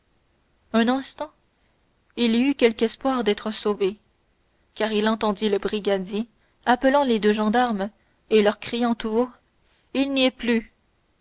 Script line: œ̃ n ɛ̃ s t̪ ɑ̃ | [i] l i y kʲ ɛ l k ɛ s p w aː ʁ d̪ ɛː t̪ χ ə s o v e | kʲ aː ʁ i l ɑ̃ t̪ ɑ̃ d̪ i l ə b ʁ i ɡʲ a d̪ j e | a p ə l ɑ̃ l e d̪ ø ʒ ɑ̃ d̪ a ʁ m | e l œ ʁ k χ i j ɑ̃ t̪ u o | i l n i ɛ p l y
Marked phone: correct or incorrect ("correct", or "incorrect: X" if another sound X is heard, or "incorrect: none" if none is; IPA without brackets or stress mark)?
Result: correct